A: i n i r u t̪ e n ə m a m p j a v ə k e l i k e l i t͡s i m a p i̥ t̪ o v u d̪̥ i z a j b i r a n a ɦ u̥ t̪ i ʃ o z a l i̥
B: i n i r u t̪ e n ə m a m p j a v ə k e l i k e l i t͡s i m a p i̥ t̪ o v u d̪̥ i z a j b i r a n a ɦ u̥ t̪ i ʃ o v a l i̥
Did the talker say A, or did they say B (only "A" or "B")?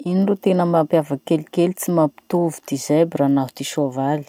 B